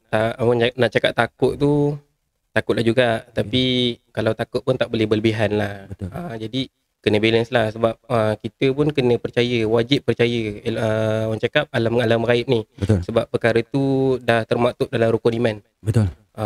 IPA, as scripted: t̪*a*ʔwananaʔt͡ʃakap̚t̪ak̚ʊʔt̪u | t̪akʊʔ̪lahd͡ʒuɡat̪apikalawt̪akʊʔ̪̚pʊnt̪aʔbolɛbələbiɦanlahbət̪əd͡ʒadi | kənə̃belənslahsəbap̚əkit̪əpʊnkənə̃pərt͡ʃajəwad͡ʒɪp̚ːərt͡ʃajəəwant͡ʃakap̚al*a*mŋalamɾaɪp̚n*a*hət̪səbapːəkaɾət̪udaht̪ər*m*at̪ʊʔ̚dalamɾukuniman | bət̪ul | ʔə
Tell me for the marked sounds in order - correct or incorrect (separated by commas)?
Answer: correct, correct, incorrect, correct